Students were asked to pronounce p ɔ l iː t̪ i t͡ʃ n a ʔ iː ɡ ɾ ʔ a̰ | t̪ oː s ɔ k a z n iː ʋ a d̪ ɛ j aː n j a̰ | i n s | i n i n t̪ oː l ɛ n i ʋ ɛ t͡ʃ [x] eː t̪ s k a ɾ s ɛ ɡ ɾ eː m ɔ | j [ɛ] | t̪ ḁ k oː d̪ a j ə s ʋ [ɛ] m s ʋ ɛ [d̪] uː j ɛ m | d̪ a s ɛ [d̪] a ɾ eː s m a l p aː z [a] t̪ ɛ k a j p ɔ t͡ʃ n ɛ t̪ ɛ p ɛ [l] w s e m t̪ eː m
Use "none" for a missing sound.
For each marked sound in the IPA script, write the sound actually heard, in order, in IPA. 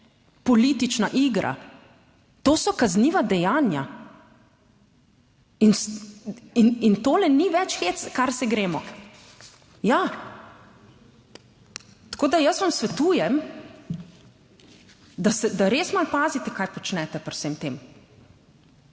x, a, a, t̪, d̪, i, ɾ

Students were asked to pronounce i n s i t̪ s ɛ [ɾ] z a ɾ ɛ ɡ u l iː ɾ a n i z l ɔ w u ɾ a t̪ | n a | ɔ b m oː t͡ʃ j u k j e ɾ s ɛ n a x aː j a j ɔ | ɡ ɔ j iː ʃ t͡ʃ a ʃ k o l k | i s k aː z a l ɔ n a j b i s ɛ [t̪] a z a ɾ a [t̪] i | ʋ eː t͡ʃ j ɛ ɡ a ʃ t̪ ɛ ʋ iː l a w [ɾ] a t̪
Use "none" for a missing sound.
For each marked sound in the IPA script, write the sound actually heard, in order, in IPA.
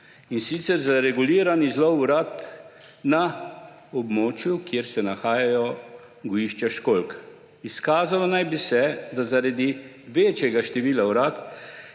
ɾ, d̪, d̪, ɾ

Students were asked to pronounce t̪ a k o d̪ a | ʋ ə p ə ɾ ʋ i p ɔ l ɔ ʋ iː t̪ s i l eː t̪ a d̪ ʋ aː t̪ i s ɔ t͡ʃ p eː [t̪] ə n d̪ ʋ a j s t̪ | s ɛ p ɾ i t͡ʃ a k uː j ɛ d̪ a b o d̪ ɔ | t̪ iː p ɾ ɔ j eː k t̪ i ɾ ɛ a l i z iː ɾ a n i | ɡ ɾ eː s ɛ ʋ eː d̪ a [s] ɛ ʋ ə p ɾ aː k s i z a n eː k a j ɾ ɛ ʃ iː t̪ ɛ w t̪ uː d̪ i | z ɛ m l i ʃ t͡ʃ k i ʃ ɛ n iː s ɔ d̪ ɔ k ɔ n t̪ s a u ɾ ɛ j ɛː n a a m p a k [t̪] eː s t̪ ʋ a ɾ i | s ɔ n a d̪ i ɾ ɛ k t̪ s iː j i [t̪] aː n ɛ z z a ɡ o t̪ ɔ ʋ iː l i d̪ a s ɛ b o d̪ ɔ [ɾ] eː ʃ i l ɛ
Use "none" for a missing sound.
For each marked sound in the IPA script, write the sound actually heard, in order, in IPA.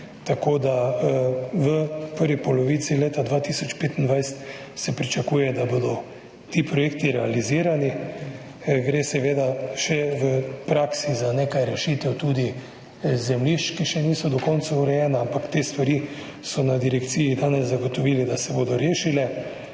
t̪, ʃ, t̪, d̪, ɾ

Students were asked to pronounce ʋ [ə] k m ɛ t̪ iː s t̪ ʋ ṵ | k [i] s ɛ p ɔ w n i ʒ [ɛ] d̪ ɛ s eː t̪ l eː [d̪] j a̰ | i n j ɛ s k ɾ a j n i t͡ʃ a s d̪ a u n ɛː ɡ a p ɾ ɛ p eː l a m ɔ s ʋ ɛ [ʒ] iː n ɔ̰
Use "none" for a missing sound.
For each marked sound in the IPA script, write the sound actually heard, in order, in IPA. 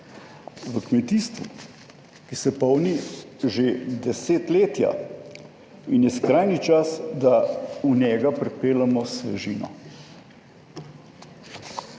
ə, i, e, t̪, ʒ

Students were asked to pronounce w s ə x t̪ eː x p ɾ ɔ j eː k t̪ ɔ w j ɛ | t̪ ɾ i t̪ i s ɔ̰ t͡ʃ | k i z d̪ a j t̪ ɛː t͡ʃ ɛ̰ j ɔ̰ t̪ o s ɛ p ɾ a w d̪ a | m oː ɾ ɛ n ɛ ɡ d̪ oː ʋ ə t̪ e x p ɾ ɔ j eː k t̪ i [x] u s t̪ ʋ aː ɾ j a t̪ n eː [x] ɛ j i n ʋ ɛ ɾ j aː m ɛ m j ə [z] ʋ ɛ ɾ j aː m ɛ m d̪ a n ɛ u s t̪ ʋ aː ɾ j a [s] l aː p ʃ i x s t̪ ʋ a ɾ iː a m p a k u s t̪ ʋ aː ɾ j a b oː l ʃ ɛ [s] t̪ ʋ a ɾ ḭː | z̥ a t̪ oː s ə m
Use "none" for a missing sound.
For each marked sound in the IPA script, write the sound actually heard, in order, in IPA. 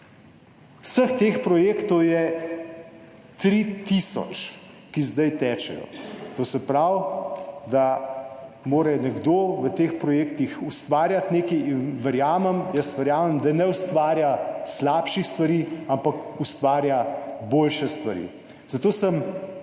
x, k, s, s, s

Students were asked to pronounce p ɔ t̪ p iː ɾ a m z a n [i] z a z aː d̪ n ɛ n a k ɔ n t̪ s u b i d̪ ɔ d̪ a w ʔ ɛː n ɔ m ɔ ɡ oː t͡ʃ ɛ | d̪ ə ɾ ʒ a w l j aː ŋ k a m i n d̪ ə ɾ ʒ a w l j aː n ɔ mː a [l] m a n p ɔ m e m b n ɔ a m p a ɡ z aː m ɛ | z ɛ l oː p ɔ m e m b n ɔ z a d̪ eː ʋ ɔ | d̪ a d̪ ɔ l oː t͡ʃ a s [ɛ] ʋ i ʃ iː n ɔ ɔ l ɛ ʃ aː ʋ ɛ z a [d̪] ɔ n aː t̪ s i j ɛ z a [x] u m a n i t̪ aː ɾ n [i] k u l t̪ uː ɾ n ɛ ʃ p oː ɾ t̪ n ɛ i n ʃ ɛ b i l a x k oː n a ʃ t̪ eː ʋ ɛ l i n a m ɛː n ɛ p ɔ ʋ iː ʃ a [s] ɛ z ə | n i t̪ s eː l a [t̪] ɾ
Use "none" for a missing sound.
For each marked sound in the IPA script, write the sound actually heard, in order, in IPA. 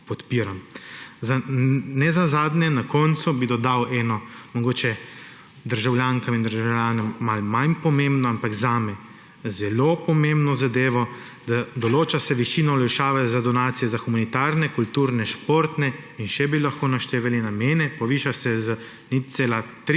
ɛ, l, ɛ, d̪, x, ɛ, s, t̪

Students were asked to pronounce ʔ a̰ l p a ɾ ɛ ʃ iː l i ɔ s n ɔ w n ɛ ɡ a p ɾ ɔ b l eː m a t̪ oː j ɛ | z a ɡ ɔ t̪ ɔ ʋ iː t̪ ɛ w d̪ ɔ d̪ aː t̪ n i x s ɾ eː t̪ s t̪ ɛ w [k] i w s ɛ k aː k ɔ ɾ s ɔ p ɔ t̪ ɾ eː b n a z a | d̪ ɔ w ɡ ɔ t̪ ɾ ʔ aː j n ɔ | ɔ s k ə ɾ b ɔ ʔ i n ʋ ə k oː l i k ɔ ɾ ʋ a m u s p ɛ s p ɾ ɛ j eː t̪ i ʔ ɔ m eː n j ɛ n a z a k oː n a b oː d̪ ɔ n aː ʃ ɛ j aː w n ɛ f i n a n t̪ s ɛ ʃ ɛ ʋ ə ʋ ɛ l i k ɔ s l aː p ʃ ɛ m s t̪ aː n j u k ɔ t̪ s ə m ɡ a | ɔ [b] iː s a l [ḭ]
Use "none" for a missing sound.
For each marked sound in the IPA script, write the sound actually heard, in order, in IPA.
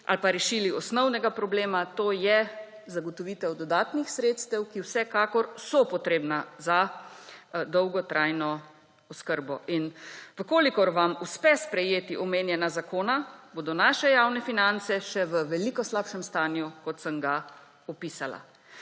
k, p, a̰

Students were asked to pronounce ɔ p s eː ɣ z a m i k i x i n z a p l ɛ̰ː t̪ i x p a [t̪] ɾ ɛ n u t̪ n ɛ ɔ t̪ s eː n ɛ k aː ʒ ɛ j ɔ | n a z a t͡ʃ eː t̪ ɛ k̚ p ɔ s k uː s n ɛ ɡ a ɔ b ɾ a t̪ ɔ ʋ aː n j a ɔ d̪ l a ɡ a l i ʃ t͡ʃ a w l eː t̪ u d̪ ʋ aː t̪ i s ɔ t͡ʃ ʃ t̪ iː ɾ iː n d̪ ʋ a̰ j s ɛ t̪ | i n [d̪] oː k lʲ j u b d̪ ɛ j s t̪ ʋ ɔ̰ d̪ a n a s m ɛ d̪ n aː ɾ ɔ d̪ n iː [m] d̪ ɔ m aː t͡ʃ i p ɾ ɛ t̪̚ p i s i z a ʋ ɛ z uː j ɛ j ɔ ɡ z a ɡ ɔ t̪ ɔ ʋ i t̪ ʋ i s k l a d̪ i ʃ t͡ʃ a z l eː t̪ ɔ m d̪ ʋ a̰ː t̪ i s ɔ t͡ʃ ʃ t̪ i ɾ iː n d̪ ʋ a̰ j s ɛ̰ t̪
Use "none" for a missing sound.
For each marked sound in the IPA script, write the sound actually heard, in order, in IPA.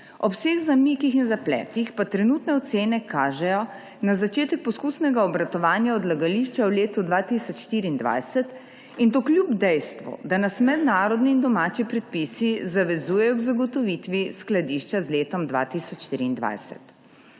t̪, t̪, n

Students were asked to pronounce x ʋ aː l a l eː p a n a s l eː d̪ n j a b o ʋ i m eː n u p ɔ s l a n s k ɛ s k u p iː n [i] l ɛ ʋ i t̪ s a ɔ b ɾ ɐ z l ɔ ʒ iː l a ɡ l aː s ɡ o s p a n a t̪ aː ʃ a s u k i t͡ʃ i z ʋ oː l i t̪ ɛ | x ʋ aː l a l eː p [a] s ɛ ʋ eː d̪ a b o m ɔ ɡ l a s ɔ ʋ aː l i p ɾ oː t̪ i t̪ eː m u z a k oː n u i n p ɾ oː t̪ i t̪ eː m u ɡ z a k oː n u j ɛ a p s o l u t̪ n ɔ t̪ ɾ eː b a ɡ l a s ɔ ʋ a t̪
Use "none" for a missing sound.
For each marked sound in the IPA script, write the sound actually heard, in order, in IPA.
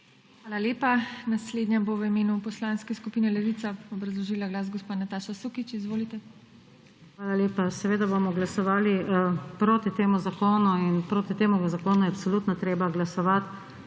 ɛ, a

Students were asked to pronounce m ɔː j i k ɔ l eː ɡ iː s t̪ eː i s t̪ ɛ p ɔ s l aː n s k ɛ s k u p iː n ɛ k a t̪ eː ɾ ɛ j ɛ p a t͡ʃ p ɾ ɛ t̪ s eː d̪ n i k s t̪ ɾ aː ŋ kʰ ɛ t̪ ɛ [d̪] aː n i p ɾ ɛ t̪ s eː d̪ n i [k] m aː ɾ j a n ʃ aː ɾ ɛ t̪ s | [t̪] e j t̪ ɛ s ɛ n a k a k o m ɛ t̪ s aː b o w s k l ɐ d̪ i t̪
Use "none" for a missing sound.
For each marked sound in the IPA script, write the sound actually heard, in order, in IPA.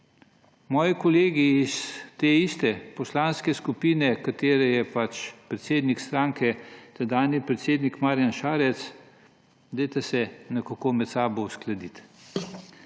d̪, k, d̪

